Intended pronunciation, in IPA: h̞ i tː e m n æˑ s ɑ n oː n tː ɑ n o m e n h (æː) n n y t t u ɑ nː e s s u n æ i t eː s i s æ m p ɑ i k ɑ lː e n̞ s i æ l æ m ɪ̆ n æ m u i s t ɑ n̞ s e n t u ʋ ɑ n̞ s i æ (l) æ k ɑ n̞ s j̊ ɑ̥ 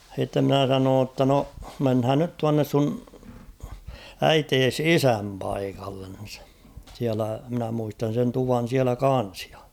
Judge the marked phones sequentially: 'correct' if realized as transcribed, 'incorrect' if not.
correct, correct

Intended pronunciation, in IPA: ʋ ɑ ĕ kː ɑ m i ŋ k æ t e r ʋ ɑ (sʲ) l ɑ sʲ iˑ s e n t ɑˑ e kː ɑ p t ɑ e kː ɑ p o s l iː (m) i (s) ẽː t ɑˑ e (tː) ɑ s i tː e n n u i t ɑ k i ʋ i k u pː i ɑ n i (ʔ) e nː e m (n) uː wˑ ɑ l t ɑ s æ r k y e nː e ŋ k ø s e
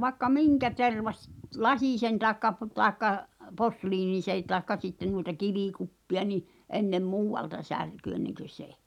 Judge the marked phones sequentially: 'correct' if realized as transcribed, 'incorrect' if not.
correct, incorrect, correct, incorrect, correct, incorrect

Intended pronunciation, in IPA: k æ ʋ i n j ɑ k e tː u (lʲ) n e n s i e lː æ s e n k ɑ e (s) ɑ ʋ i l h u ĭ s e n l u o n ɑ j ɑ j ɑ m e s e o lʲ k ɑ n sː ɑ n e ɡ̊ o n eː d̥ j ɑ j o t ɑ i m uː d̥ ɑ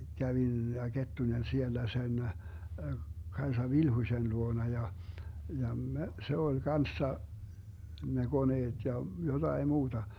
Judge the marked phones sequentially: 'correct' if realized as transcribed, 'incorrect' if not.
incorrect, correct

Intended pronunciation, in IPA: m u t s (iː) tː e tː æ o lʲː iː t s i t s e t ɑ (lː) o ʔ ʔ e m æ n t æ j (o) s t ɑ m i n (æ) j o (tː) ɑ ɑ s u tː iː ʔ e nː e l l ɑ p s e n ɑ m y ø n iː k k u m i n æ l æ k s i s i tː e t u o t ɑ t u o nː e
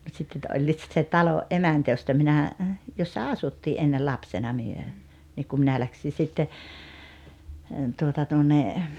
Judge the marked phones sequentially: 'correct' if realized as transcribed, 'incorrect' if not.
incorrect, incorrect, correct, correct, incorrect

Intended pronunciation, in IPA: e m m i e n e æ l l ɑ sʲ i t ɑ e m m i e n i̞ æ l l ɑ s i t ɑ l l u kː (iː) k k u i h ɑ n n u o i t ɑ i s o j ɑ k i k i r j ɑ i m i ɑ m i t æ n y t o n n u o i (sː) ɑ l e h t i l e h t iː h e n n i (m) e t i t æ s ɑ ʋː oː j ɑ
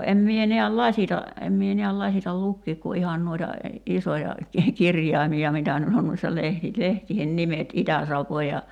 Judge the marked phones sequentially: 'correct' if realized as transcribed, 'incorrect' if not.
correct, correct, correct

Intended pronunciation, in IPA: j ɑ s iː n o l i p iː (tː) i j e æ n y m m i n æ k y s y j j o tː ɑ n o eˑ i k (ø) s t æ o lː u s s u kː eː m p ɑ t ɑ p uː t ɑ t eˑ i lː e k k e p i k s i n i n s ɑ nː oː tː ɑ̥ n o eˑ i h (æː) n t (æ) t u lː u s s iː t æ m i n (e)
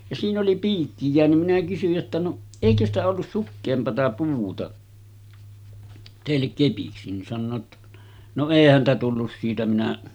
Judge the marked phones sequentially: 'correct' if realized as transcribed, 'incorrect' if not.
incorrect, correct, incorrect, correct, incorrect

